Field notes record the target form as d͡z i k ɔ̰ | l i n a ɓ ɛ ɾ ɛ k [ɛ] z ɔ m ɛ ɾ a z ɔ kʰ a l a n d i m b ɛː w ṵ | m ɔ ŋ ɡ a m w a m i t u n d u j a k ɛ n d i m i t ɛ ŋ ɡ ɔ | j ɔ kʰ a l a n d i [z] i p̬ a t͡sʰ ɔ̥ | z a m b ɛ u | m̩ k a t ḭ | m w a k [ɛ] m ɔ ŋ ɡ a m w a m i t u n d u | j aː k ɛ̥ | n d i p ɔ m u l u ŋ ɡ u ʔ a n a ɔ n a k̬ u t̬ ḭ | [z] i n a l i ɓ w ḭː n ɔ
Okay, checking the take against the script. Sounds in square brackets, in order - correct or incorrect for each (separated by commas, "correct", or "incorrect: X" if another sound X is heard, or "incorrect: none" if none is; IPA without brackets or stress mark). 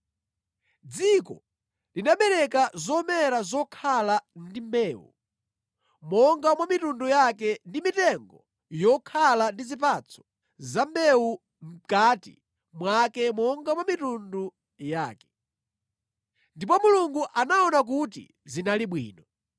incorrect: a, correct, correct, correct